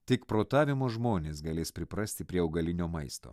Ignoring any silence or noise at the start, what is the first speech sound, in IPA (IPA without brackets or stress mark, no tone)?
t̪ʲ